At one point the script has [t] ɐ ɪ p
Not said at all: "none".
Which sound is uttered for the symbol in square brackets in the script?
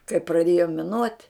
k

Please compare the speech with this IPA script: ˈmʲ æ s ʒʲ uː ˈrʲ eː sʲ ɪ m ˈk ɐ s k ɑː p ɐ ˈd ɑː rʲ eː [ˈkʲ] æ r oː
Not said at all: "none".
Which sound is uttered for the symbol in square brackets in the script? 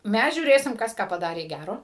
ɡʲ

